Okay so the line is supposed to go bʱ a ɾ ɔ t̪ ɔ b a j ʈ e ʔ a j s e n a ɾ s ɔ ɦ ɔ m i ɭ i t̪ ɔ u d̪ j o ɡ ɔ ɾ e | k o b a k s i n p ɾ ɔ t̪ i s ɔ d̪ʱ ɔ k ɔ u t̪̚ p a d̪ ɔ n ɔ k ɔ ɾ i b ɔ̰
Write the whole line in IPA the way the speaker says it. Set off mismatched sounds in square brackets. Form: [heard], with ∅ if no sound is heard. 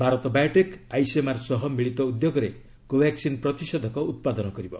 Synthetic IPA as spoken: bʱ a ɾ ɔ t̪ ɔ b a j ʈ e [k] a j s e [m] a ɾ s ɔ ɦ ɔ m i ɭ i t̪ ɔ u d̪ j o ɡ ɔ ɾ e | k o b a k s i n p ɾ ɔ t̪ i s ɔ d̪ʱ ɔ k ɔ u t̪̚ p a d̪ ɔ n ɔ k ɔ ɾ i b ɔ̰